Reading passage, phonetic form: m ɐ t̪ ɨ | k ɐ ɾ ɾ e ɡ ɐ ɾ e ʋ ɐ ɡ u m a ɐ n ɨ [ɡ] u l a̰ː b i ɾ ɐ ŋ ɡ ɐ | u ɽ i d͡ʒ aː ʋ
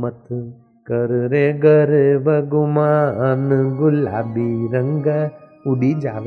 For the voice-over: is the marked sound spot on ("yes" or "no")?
yes